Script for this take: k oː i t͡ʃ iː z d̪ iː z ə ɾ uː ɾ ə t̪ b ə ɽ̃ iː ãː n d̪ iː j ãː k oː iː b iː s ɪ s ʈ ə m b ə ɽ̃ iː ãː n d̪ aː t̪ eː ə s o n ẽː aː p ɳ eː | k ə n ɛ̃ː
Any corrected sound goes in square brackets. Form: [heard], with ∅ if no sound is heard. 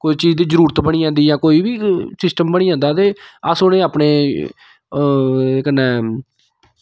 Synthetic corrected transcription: k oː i t͡ʃ iː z d̪ iː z ə ɾ uː ɾ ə t̪ b ə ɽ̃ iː ãː n d̪ iː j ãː k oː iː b iː s ɪ s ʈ ə m b ə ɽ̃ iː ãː n d̪ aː t̪ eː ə s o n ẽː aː p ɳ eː | k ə n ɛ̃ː

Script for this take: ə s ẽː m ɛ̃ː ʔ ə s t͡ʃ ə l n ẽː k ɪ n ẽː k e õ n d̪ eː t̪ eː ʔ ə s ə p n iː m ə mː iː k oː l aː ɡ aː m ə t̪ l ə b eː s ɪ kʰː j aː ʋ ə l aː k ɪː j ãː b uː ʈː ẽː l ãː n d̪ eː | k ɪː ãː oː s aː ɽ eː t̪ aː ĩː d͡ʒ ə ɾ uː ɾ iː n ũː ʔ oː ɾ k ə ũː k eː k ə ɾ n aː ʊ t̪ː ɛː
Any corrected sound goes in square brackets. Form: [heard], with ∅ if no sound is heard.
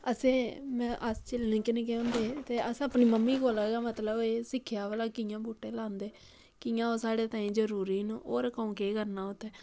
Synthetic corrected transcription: ə s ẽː m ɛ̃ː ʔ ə s t͡ʃ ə l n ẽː k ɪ n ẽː k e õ n d̪ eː t̪ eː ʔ ə s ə p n iː m ə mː iː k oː l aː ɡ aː m ə t̪ l ə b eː s ɪ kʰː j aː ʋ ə l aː k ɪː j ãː b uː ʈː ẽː l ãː n d̪ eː | k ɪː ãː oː s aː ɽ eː t̪ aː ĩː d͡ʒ ə ɾ uː ɾ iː n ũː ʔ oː ɾ k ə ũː k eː k ə ɾ n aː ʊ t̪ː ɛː

